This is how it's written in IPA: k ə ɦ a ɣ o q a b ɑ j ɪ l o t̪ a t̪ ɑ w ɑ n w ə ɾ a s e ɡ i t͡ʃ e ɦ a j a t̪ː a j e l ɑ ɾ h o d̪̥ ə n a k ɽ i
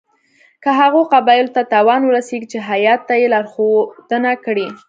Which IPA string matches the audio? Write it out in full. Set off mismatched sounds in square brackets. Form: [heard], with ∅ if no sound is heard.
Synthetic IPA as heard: k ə ɦ a ɣ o q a b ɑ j ɪ l o t̪ a t̪ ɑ w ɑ n w ə ɾ a s e ɡ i t͡ʃ e ɦ a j [ɑ] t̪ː a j e l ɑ ɾ [x] o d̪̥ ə n a k ɽ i